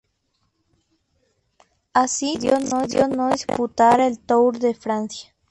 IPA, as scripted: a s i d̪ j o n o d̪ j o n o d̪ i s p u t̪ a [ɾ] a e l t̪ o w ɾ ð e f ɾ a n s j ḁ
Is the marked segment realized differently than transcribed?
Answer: no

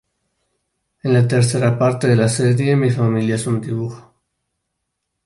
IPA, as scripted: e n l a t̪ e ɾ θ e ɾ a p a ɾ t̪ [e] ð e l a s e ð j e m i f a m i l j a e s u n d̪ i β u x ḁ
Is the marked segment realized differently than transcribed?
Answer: no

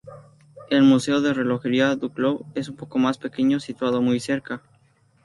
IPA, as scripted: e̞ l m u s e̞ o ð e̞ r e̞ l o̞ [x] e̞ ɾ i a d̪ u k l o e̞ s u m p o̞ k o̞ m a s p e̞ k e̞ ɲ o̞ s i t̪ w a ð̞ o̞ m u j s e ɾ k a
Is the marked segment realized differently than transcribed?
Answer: no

